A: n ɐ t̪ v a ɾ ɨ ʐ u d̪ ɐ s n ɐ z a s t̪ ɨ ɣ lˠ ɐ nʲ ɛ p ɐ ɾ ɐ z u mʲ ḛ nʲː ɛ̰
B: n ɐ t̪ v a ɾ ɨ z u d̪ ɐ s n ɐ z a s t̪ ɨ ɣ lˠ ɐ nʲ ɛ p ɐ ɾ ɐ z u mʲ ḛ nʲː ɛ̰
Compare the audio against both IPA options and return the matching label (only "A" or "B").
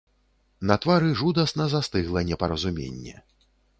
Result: A